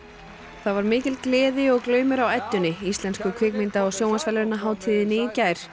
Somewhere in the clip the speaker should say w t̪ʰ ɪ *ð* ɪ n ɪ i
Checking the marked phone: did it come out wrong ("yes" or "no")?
no